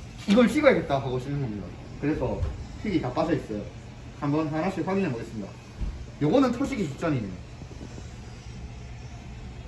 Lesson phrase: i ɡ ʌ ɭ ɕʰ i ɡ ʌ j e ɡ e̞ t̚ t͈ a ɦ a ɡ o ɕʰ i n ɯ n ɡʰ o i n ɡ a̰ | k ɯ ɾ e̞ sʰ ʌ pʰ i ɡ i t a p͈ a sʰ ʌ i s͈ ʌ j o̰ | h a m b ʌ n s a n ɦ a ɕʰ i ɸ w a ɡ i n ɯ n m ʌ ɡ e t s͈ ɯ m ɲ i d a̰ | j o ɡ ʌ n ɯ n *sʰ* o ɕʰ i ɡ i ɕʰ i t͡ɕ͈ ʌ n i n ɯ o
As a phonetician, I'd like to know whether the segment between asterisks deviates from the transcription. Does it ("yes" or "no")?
yes